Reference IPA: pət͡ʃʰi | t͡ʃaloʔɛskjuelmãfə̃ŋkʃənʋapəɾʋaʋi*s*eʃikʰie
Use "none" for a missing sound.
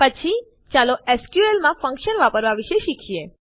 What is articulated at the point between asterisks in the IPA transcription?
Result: ʃ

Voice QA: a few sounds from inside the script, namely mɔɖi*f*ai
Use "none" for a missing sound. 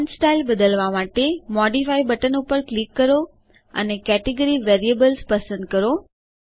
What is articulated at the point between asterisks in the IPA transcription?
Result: f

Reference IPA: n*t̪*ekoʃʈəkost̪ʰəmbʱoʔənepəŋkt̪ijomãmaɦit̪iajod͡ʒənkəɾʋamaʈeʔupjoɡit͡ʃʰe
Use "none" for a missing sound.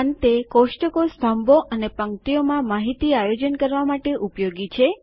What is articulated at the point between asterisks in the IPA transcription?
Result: t̪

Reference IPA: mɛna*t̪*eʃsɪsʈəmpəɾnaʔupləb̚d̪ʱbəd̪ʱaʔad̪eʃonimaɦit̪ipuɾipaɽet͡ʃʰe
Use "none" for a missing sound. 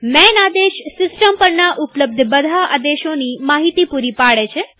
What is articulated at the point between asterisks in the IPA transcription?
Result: d̪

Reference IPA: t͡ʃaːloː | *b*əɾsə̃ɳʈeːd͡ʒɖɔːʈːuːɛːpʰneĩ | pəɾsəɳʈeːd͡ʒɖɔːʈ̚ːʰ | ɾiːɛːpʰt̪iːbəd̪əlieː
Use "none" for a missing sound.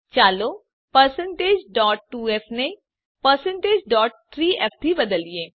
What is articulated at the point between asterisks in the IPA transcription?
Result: p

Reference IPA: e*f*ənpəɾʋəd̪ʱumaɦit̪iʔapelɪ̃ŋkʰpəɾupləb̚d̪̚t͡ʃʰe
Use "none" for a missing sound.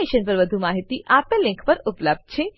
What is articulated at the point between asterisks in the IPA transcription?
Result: ʃ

